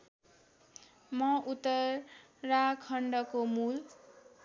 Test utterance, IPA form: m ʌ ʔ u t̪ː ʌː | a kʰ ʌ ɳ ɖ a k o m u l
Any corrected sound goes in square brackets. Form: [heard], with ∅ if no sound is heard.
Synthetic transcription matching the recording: m ʌ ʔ u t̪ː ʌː | a kʰ ʌ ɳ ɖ [ʌ] k o m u l